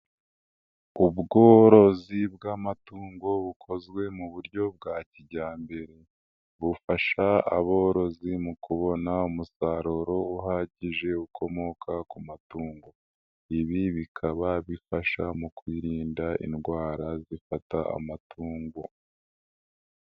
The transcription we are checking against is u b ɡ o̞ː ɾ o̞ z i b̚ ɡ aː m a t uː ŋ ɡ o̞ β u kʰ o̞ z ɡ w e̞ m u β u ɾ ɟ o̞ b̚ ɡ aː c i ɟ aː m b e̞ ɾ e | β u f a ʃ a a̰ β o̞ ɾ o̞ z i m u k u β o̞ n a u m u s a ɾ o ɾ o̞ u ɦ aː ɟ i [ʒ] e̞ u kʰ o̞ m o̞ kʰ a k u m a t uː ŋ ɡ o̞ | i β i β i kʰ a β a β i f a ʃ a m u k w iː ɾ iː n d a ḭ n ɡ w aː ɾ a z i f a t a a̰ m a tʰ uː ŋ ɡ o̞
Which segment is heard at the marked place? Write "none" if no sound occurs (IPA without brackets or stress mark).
ʒ